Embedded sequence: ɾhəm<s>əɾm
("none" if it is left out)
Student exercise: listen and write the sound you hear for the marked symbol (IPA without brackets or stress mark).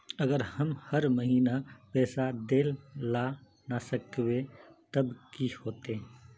h